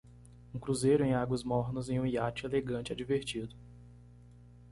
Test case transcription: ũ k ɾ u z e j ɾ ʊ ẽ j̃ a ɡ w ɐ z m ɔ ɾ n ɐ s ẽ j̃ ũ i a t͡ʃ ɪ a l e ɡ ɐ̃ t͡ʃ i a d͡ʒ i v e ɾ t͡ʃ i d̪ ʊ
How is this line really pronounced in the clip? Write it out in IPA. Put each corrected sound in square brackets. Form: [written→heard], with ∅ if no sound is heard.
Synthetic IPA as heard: ũ k ɾ u z e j ɾ ʊ ẽ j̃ a ɡ w ɐ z m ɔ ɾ n ɐ [s→z] ẽ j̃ ũ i a t͡ʃ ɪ [a→e] l e ɡ ɐ̃ t͡ʃ [i→ɪ] a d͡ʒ i v e ɾ t͡ʃ i d̪ ʊ